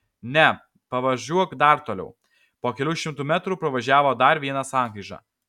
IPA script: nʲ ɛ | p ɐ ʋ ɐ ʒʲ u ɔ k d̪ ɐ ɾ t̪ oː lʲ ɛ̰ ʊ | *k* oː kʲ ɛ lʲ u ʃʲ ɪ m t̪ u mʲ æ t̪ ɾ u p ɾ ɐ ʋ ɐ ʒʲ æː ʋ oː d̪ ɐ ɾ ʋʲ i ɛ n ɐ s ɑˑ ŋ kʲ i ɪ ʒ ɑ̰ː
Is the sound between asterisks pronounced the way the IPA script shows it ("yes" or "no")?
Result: no